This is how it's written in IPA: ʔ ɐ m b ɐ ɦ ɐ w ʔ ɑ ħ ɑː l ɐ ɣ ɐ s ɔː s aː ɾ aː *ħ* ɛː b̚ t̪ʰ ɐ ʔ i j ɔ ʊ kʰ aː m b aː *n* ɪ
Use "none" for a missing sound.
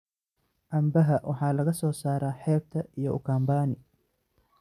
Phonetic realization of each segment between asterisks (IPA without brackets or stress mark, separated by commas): ħ, n